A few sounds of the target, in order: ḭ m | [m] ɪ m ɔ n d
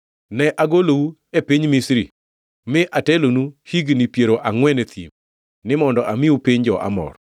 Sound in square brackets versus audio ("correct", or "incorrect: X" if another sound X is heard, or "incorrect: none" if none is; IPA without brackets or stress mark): incorrect: n